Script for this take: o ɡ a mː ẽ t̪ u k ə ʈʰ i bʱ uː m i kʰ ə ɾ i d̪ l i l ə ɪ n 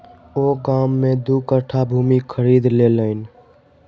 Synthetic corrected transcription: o ɡ a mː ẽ d̪ u k ə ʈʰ a bʱ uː m i kʰ ə ɾ i d̪ l e l ə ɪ n